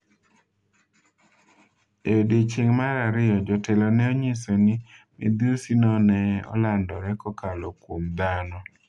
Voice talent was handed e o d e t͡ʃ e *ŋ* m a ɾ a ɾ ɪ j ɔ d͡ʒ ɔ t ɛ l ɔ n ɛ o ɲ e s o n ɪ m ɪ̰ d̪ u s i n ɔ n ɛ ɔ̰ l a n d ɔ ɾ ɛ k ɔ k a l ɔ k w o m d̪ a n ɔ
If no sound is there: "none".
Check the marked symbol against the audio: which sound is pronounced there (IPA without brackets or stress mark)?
ŋ